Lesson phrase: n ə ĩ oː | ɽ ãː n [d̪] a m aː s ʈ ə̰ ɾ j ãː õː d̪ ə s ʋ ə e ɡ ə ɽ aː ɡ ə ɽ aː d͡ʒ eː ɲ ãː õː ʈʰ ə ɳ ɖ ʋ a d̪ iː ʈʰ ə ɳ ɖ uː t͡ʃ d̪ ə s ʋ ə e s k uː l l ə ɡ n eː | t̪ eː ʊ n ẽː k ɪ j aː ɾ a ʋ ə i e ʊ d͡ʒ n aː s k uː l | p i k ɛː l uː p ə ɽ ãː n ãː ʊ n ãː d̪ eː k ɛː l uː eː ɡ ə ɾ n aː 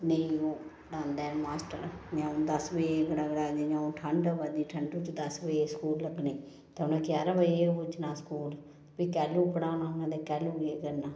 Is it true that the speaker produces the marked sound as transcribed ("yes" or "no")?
yes